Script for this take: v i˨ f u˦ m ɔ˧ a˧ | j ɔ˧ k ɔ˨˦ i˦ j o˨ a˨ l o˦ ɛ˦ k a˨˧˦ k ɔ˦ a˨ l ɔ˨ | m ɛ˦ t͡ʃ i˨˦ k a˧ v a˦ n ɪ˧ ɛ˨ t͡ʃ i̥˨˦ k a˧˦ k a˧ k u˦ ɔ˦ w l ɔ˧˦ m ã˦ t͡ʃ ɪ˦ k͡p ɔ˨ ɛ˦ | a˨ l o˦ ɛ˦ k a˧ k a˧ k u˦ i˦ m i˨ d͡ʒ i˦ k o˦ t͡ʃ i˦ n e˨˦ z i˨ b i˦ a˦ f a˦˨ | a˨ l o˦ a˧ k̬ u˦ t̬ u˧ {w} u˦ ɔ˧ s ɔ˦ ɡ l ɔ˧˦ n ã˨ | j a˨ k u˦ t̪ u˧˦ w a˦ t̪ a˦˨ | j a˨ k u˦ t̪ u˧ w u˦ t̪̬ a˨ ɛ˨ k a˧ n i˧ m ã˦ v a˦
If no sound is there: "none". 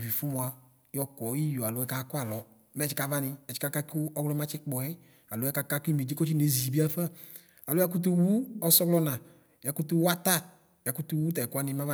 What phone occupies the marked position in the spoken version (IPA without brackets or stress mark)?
w